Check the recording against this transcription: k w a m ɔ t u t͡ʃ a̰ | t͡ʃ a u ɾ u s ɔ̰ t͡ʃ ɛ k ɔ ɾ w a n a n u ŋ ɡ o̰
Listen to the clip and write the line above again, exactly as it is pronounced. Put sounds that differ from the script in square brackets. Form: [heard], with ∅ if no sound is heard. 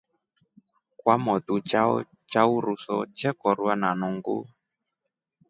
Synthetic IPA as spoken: k w a m ɔ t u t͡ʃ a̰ | t͡ʃ a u ɾ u s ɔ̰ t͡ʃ ɛ k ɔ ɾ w a n a n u ŋ ɡ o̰